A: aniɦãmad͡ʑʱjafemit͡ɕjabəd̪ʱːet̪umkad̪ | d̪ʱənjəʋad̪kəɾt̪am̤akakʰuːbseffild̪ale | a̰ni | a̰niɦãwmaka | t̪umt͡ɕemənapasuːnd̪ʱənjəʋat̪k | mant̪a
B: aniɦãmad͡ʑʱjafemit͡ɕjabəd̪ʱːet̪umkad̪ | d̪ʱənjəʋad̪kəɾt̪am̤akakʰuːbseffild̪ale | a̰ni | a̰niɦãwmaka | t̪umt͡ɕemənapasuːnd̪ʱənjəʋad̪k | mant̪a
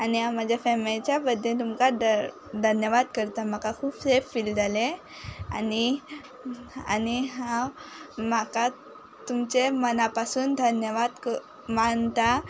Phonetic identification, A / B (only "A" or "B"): B